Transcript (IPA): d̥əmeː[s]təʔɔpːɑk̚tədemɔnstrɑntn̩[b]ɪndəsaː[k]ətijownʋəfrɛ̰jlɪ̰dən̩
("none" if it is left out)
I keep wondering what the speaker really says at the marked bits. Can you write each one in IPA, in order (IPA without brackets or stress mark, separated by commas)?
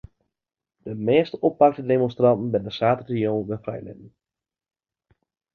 s, b, t